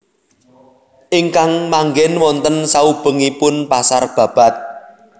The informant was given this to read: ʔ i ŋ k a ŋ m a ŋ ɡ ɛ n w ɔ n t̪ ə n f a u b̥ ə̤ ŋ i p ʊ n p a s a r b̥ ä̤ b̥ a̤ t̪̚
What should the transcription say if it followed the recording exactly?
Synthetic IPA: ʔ i ŋ k a ŋ m a ŋ ɡ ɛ n w ɔ n t̪ ə n s a u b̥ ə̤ ŋ i p ʊ n p a s a r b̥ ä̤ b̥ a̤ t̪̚